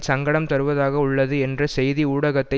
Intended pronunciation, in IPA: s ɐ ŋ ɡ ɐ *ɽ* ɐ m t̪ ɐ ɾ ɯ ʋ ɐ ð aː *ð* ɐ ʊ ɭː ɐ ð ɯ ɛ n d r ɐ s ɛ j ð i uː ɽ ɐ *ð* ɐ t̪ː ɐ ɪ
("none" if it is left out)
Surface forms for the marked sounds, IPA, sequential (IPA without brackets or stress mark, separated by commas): ɽ, ɣ, ɣ